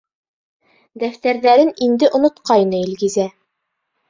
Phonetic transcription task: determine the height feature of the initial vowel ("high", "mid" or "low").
low